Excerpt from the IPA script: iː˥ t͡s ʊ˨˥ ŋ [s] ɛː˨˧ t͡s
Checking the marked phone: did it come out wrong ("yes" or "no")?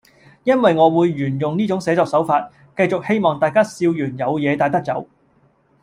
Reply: no